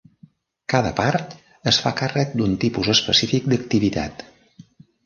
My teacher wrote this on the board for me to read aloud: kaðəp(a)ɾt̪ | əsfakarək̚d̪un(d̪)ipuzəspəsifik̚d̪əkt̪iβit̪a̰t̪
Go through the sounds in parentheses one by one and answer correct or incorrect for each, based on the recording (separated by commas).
correct, incorrect